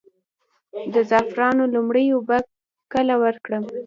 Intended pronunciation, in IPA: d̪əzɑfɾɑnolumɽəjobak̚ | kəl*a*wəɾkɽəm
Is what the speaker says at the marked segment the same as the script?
yes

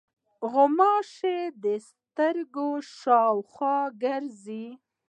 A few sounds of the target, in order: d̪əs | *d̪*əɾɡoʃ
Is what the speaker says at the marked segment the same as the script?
no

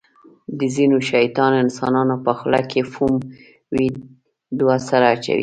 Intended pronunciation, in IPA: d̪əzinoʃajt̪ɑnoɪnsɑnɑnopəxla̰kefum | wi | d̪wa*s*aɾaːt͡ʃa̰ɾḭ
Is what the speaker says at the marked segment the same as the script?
yes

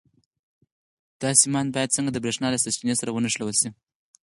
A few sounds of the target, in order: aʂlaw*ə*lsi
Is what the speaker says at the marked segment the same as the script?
yes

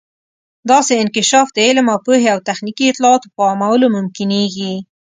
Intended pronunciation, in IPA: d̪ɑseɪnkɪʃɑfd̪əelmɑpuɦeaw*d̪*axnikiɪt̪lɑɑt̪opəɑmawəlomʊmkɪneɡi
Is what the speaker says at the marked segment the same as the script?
no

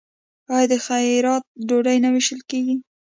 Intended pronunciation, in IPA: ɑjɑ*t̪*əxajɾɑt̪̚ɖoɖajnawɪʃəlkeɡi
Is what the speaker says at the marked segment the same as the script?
no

